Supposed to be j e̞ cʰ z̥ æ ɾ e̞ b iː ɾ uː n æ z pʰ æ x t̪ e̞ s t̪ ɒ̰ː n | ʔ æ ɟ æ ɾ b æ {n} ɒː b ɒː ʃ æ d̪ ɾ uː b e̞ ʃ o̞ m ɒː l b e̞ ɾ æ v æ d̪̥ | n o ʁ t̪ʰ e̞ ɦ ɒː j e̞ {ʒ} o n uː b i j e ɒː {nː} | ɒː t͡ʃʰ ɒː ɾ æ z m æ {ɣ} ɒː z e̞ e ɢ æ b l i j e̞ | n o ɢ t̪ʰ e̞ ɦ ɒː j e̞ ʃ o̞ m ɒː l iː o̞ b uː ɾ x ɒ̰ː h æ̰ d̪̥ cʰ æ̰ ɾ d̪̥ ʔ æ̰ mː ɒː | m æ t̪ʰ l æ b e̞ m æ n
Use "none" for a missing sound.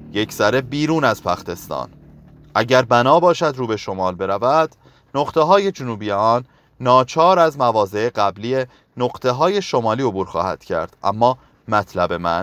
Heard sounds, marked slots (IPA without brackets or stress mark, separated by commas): n, d͡ʒ, nː, v